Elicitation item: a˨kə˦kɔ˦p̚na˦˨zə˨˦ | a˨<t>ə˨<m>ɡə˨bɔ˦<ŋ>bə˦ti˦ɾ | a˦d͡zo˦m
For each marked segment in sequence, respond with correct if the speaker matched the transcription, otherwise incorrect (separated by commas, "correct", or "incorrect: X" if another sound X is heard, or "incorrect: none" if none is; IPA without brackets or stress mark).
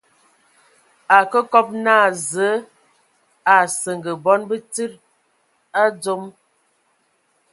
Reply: incorrect: s, incorrect: ŋ, incorrect: n